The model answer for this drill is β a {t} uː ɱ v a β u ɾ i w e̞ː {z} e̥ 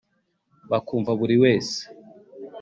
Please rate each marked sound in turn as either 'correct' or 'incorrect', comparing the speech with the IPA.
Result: incorrect, incorrect

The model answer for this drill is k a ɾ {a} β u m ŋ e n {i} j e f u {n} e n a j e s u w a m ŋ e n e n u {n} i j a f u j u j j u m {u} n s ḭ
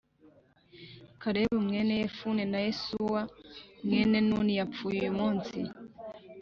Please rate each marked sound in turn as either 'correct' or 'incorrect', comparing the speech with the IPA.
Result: incorrect, incorrect, correct, correct, incorrect

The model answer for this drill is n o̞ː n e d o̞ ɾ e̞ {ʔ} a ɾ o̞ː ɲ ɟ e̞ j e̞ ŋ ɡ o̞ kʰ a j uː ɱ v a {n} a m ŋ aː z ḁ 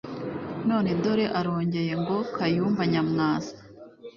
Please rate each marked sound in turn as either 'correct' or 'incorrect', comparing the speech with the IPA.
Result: correct, incorrect

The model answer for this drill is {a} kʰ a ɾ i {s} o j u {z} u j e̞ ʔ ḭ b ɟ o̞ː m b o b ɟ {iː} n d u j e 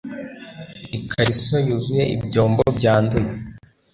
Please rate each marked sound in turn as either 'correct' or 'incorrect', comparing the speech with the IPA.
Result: incorrect, correct, correct, incorrect

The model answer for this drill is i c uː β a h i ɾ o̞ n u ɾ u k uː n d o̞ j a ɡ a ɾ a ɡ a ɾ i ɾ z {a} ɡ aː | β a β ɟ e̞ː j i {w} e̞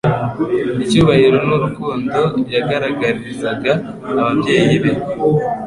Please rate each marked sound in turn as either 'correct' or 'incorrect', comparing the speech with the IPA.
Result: correct, incorrect

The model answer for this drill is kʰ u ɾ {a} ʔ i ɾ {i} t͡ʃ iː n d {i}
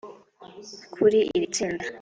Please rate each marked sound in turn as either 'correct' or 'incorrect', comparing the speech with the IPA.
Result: incorrect, correct, incorrect

